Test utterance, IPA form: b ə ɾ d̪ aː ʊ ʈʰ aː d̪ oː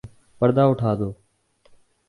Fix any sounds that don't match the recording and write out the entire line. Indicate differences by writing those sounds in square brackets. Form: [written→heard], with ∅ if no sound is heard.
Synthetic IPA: [b→p] ə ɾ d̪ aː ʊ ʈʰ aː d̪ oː